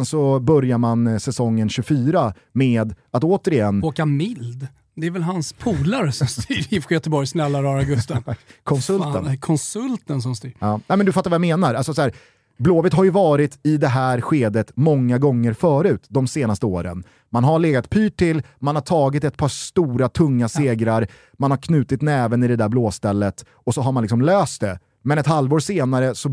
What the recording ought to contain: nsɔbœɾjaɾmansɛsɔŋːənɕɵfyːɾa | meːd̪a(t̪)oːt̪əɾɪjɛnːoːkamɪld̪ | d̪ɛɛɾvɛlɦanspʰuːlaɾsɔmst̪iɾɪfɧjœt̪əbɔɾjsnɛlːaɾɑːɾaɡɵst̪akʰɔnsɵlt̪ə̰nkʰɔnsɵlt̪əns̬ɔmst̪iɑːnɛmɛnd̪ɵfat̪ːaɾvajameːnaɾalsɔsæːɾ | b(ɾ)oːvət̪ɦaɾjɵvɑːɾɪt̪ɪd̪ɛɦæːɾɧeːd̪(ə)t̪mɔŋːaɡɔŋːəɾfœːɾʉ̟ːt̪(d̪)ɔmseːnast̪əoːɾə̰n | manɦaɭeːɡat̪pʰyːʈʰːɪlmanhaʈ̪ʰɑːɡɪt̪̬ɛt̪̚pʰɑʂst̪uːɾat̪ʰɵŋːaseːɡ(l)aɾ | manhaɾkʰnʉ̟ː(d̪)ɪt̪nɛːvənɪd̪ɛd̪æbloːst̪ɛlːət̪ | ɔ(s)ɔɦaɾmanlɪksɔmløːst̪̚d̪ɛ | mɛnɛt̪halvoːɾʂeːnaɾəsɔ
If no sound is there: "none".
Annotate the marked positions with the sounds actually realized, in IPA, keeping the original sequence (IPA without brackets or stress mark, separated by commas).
t̪, l, ə, d̪, ɾ, t̪, s